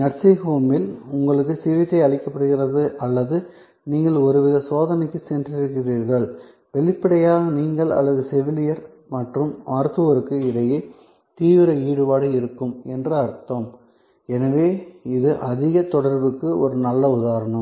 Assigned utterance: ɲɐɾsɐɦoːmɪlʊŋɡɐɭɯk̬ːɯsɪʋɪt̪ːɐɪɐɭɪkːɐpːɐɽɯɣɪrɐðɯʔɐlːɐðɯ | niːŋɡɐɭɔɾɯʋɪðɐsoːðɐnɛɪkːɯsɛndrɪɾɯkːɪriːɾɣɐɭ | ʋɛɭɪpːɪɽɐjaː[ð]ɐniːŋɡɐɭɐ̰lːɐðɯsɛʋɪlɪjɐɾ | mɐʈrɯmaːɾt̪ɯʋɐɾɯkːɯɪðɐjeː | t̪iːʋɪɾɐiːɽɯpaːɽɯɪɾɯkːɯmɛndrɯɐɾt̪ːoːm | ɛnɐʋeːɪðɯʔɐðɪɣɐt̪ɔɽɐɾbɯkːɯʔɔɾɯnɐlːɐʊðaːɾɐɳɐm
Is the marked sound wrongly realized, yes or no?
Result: yes